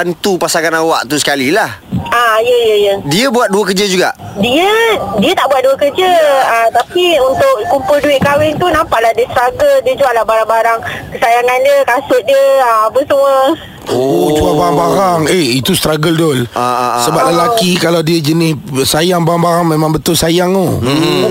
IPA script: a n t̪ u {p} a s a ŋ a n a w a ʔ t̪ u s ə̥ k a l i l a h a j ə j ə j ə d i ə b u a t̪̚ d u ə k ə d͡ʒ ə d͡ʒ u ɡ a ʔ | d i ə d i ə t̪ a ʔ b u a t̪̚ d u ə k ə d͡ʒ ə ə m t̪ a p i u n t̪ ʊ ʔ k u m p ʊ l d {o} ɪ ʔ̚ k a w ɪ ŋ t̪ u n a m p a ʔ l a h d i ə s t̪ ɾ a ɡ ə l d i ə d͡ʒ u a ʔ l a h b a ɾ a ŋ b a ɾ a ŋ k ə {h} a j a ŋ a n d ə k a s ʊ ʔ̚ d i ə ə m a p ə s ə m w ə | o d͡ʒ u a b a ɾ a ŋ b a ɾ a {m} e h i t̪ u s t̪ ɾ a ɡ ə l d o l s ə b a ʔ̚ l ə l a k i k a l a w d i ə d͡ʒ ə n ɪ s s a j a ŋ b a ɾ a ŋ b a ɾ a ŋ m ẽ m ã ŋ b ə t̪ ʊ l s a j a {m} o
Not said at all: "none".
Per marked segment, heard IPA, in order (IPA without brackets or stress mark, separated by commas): p, u, s, ŋ, ŋ